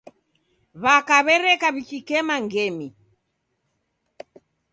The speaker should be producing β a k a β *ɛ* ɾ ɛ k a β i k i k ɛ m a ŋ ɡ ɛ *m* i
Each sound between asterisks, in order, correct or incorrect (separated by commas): correct, correct